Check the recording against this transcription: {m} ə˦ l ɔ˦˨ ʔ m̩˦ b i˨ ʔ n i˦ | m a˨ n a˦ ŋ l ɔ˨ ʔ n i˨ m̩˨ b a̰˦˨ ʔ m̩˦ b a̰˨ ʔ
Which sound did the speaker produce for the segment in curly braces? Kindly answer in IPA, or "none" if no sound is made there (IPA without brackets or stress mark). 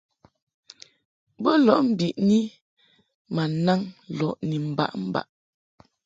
b